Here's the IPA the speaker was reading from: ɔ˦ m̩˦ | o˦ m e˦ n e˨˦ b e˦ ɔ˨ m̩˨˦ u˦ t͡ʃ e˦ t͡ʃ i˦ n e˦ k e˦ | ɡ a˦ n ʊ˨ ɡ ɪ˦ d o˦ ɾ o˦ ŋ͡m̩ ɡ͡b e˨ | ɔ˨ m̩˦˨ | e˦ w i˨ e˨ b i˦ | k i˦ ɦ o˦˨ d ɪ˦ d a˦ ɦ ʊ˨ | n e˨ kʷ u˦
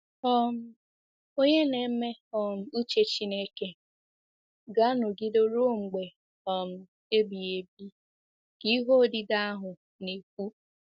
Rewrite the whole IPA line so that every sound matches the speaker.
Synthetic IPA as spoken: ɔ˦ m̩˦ | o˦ ɲ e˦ n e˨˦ m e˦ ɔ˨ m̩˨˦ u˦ t͡ʃ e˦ t͡ʃ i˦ n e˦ k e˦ | ɡ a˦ n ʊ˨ ɡ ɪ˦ d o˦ ɾ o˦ ŋ͡m̩ ɡ͡b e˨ | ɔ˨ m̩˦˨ | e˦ b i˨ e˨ b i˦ | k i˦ ɦ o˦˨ d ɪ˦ d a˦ ɦ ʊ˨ | n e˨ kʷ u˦